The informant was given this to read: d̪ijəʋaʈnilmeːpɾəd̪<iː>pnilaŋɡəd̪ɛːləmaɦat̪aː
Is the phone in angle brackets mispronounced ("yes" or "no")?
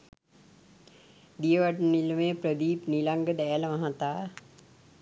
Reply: no